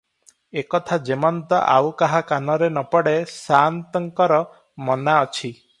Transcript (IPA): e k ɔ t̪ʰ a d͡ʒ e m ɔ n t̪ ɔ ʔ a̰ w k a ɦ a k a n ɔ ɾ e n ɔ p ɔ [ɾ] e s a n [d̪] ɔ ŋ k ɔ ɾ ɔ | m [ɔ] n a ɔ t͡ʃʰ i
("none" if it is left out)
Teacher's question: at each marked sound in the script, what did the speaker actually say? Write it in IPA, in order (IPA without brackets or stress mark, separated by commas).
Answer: ɽ, t̪, ɔ